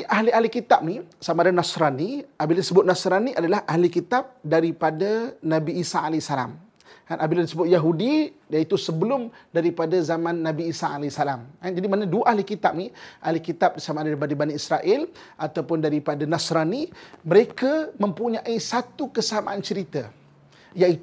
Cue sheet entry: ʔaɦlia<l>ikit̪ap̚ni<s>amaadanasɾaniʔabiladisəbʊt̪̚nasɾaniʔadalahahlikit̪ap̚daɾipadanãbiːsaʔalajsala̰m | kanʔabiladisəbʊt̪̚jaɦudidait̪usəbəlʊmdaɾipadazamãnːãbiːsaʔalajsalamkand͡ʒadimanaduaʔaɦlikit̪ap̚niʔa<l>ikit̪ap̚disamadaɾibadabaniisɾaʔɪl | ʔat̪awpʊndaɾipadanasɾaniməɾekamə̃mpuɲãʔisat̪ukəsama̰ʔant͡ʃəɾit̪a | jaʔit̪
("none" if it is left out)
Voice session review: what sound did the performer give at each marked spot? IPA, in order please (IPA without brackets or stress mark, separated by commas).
l, s, l